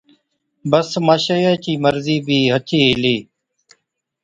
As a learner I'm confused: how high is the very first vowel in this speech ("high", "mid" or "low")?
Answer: mid